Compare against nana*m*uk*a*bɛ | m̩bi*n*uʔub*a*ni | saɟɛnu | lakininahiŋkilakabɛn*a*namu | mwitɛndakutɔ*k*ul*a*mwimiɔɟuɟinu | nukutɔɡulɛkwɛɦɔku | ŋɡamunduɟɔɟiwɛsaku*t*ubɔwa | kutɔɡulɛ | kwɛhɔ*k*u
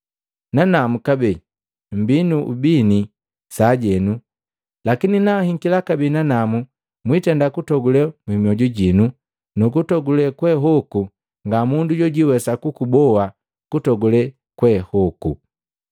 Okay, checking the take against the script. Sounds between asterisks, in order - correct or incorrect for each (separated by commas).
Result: correct, correct, correct, incorrect, correct, incorrect, incorrect, incorrect, correct